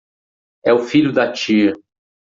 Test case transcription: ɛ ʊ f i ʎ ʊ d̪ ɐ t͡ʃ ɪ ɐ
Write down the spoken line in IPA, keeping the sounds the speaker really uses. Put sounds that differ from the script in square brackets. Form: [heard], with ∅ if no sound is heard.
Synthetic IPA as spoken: ɛ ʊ f i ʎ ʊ d̪ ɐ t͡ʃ [i] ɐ